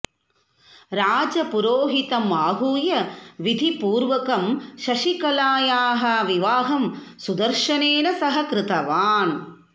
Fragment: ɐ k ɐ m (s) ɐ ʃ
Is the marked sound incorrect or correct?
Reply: incorrect